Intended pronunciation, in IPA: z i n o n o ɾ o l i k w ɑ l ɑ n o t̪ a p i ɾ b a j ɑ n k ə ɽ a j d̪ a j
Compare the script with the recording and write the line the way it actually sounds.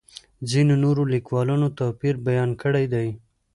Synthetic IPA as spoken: z i n o n o ɾ o l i k w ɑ l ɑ n o t̪ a p i ɾ b a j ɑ n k ə ɽ a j d̪ a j